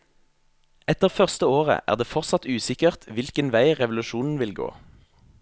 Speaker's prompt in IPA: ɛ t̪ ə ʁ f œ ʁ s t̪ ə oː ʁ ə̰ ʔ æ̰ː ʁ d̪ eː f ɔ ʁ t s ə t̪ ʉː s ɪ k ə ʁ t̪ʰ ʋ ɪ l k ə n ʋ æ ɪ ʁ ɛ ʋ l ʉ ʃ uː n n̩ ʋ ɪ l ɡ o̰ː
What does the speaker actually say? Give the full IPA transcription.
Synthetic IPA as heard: ɛ t̪ ə ʁ f œ ʁ s t̪ ə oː ʁ ə̰ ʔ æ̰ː ʁ d̪ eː f ɔ ʁ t s ɑ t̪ ʉː s ɪ k ə ʁ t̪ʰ ʋ ɪ l k ə n ʋ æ ɪ ʁ ɛ ʋ l ʉ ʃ uː n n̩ ʋ ɪ l ɡ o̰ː